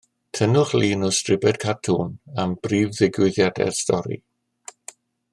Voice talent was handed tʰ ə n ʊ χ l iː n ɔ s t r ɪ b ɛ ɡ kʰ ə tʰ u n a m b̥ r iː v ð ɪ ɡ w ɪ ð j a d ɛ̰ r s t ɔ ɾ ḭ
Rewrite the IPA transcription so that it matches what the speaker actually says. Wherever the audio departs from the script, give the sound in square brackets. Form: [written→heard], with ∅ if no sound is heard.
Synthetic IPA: tʰ ə n ʊ χ l iː n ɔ s t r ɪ b ɛ [ɡ→d] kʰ [ə→a] tʰ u n a m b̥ r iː v ð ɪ ɡ w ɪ ð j a d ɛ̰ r s t ɔ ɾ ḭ